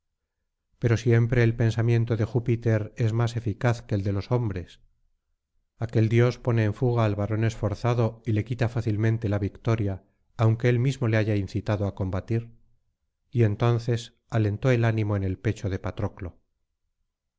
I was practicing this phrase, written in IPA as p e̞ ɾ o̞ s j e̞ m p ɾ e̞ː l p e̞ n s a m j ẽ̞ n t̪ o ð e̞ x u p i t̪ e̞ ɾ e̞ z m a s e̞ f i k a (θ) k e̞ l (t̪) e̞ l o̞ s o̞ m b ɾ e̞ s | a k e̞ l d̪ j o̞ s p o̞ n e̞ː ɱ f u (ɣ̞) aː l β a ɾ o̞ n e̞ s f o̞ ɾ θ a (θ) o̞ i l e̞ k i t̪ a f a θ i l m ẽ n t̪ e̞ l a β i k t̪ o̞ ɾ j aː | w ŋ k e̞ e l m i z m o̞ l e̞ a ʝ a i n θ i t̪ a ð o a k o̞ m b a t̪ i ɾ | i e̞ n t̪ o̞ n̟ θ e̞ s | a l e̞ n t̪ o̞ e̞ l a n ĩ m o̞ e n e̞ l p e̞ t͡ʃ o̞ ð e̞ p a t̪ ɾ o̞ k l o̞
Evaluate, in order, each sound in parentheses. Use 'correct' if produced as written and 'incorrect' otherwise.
correct, incorrect: d̪, correct, incorrect: ð

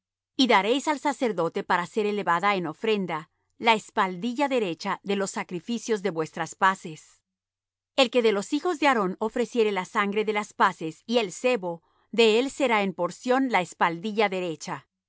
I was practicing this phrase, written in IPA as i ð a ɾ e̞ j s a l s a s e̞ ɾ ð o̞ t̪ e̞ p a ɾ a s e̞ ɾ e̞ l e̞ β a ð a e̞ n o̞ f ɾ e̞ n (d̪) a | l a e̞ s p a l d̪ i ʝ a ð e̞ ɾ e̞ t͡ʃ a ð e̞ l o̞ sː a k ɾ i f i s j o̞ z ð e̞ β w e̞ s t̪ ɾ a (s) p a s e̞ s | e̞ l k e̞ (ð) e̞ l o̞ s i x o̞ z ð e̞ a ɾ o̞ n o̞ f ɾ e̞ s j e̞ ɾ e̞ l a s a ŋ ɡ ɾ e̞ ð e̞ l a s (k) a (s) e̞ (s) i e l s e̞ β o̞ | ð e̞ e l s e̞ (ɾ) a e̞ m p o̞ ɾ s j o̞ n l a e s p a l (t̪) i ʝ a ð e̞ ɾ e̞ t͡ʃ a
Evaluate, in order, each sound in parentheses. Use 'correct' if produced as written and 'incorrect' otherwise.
correct, correct, correct, incorrect: p, correct, correct, correct, incorrect: d̪

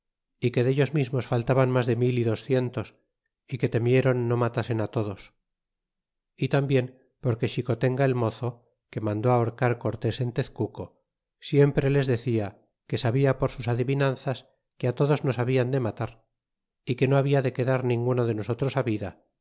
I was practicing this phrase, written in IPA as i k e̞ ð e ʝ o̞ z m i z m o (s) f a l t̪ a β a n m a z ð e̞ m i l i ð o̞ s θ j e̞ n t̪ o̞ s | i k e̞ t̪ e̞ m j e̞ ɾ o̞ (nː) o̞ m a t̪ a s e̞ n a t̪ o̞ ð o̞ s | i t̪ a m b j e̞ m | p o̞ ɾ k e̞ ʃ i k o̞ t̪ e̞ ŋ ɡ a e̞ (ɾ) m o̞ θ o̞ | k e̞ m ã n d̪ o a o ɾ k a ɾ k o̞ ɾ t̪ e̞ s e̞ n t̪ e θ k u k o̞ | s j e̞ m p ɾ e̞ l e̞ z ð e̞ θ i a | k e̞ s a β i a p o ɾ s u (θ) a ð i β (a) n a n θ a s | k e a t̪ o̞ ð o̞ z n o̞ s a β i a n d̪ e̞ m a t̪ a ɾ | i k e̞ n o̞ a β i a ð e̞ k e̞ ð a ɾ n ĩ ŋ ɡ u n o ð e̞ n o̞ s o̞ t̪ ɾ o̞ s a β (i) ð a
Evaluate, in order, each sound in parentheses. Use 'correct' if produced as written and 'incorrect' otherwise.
correct, correct, incorrect: l, incorrect: s, incorrect: i, correct

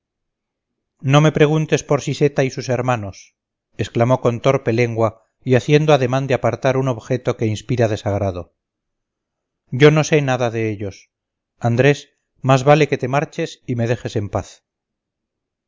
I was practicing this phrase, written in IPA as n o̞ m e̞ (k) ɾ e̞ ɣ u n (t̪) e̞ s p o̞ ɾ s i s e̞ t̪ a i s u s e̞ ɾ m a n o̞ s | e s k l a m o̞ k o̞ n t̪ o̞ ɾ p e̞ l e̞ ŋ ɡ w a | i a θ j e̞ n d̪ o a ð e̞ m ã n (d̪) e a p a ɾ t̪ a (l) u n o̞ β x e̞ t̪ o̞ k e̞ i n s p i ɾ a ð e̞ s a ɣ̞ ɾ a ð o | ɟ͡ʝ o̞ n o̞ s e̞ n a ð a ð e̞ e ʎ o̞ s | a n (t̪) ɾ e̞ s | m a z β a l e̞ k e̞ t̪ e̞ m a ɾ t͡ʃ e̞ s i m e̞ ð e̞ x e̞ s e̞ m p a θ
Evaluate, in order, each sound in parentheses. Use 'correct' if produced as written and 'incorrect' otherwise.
incorrect: p, correct, correct, incorrect: ɾ, incorrect: d̪

